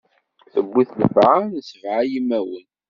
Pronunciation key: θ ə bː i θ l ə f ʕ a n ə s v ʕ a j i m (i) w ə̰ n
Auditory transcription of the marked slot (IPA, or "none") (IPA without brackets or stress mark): æ